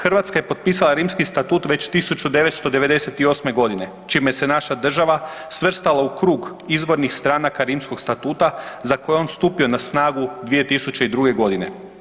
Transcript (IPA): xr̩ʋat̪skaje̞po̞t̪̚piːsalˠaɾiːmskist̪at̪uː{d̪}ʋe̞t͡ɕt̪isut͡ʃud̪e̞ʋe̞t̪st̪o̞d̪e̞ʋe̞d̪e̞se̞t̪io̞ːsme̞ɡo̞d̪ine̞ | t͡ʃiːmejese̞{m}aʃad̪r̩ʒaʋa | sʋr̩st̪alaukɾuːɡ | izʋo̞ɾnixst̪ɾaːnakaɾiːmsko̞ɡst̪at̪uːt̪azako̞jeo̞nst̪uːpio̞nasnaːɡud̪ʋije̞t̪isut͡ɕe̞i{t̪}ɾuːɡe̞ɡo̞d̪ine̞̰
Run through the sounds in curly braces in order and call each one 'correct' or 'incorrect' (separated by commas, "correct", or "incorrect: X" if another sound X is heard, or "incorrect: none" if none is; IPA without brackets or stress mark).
incorrect: t̪, incorrect: n, incorrect: d̪